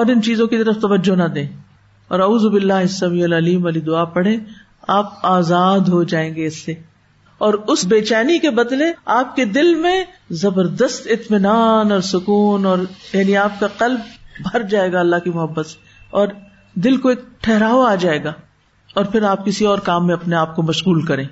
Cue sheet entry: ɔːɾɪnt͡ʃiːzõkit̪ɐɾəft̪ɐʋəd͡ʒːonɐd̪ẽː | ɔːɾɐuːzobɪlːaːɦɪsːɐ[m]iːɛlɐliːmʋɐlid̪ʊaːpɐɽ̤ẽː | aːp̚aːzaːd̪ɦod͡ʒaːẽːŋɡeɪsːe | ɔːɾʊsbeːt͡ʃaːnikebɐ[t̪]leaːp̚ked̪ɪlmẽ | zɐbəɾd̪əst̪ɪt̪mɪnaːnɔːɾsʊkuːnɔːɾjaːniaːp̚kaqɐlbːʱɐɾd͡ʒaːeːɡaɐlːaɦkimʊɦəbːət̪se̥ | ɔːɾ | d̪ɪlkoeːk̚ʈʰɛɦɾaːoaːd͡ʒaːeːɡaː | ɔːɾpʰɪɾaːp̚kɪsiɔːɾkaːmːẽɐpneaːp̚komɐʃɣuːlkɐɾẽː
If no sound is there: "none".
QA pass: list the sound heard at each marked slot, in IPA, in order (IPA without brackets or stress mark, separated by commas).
m, d̪